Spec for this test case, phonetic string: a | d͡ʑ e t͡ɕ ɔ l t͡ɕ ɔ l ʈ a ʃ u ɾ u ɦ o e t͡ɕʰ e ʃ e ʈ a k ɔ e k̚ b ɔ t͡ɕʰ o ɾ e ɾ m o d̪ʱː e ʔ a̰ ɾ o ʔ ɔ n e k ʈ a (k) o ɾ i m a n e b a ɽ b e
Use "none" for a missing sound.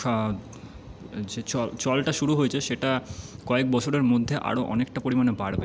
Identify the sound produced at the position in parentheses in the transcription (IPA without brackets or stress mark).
p